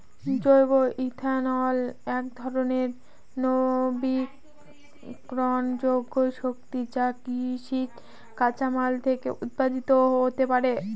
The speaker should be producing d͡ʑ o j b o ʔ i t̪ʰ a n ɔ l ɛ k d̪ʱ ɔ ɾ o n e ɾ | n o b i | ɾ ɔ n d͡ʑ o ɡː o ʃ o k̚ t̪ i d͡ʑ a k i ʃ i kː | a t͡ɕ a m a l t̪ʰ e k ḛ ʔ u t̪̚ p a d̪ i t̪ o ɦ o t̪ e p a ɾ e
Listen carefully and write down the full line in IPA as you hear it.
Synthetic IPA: d͡ʑ o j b o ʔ i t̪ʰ a n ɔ l ɛ k d̪ʱ ɔ ɾ o n e ɾ | n o b i | ɾ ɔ n d͡ʑ o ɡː o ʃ o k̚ t̪ i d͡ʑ a k i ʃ i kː | a t͡ɕ a m a l t̪ʰ e k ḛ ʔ u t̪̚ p a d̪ i t̪ o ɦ o t̪ e p a ɾ e